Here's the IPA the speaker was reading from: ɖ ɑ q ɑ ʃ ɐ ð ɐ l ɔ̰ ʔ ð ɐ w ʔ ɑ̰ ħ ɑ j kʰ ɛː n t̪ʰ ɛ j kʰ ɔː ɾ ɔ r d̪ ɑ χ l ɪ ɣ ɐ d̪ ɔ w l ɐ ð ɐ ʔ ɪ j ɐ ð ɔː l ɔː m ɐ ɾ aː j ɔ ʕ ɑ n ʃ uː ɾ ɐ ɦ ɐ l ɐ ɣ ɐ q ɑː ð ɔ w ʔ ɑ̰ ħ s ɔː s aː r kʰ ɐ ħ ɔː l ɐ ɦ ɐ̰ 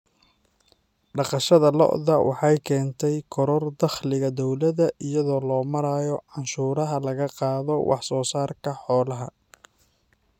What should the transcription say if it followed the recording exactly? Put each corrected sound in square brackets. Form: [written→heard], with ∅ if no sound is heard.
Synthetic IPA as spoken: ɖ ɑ q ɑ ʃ ɐ ð ɐ l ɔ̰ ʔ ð ɐ w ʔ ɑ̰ ħ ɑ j kʰ ɛː n t̪ʰ ɛ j kʰ [ɔː→ɔ] ɾ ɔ r d̪ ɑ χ l ɪ ɣ ɐ d̪ ɔ w l ɐ ð ɐ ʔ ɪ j ɐ ð ɔː l ɔː m ɐ ɾ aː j ɔ ʕ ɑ n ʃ uː ɾ ɐ ɦ ɐ l ɐ ɣ ɐ q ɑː ð ɔ w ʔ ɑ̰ ħ s ɔː s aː r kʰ ɐ ħ ɔː l ɐ ɦ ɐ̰